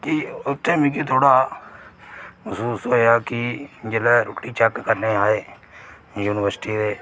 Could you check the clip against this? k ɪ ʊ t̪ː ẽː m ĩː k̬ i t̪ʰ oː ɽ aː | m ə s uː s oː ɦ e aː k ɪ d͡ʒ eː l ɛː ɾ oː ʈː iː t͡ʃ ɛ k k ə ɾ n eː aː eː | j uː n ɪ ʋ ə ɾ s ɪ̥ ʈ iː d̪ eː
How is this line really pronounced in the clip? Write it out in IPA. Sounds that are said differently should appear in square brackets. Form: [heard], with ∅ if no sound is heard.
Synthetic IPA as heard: k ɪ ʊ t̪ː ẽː m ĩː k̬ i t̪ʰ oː ɽ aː | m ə s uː s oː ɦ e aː k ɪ d͡ʒ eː l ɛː ɾ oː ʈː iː t͡ʃ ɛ k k ə ɾ n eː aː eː | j uː n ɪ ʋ ə ɾ s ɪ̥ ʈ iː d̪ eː